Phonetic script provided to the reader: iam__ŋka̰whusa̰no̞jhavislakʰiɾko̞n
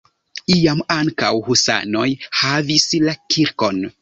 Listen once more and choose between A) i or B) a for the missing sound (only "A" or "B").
B